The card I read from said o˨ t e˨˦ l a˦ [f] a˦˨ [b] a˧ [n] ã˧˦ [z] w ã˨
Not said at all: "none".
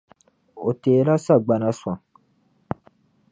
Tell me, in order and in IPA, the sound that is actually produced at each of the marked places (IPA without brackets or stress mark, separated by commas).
s, ɡ͡b, n, s